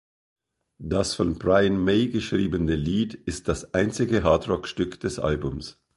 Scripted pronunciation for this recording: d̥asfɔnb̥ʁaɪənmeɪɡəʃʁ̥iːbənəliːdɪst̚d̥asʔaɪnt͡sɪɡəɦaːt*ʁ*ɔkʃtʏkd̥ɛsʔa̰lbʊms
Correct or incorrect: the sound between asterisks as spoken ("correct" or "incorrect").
correct